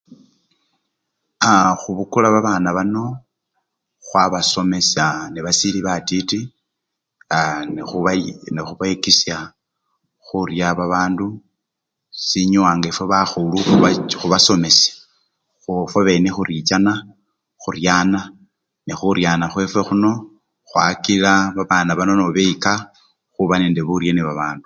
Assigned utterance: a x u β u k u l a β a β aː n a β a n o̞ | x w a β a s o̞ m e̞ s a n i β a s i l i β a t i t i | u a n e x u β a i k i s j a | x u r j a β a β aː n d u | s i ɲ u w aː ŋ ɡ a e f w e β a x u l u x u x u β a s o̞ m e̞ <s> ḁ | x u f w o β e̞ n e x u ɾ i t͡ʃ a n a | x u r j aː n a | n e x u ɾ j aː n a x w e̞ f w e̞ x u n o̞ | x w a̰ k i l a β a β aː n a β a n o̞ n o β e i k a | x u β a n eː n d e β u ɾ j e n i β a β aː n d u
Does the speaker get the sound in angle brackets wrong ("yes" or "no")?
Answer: no